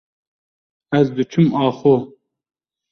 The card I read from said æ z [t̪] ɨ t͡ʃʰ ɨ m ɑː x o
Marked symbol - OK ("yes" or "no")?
no